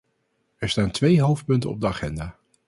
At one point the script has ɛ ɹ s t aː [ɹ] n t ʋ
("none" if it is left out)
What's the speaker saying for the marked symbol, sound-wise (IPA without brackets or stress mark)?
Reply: none